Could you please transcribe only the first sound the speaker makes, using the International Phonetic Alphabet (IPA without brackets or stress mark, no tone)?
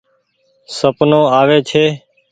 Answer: s